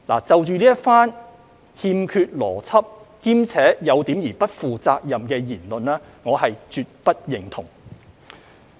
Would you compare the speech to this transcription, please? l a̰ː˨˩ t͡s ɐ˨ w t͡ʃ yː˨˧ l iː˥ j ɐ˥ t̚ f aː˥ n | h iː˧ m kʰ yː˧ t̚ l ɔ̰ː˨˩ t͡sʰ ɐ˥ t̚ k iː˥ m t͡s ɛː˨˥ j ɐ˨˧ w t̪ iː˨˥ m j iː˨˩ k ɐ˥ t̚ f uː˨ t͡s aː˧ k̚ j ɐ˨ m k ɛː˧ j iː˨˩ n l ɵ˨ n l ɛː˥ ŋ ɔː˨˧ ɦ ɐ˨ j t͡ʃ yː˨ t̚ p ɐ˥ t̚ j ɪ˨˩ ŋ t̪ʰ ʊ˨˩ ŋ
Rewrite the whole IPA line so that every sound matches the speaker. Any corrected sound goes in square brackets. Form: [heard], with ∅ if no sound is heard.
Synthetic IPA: l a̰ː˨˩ t͡s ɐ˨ w t͡ʃ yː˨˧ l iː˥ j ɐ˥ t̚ f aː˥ n | h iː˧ m kʰ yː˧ t̚ l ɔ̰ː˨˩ t͡sʰ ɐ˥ [p̚] k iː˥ m [t͡sʰ] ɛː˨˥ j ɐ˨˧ w t̪ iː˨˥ m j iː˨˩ [p] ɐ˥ t̚ f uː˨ t͡s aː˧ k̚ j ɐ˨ m k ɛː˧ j iː˨˩ n l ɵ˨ n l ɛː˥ ŋ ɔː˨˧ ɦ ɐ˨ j t͡ʃ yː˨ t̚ p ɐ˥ t̚ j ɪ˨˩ ŋ t̪ʰ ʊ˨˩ ŋ

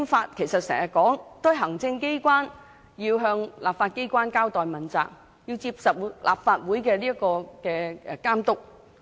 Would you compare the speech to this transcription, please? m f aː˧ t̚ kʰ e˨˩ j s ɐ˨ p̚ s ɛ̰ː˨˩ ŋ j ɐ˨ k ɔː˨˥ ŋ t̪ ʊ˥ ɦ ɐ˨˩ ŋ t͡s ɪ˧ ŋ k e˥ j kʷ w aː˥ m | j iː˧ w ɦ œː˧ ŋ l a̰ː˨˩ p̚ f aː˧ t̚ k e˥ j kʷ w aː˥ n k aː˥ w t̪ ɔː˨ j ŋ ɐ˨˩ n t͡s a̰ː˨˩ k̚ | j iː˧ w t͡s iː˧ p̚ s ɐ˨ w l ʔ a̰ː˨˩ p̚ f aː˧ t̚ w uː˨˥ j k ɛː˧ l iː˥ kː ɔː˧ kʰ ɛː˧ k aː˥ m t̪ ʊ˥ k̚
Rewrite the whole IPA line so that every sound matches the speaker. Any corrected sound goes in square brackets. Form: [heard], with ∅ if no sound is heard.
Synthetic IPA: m f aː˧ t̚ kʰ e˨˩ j s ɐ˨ [t̚] s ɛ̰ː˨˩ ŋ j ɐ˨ k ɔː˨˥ ŋ t̪ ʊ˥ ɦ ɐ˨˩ ŋ t͡s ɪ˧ ŋ k e˥ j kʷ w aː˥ [n] | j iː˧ w ɦ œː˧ ŋ l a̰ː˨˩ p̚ f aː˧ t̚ k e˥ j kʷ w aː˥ n k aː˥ w t̪ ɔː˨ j [m] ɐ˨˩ n t͡s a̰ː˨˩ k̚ | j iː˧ w t͡s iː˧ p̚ s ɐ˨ w l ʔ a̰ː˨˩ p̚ f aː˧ t̚ w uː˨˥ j k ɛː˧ l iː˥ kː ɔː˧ [k] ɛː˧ k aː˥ m t̪ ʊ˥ k̚

